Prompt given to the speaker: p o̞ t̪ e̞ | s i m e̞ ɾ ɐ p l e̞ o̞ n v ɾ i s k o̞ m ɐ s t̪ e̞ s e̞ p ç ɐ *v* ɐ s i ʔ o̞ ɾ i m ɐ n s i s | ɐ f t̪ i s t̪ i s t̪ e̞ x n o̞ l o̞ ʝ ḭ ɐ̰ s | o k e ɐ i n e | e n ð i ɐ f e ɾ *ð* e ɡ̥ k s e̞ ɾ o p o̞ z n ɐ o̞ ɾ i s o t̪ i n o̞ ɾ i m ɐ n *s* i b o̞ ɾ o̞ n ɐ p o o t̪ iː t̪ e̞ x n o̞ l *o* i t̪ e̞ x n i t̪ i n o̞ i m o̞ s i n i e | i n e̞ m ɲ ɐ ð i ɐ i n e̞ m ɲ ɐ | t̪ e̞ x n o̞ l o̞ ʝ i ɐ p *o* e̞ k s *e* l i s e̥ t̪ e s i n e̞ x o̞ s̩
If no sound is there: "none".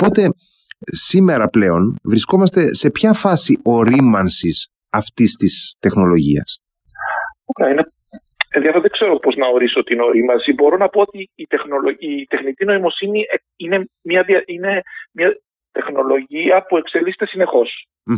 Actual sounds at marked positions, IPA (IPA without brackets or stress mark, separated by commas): f, ð, s, o, u, e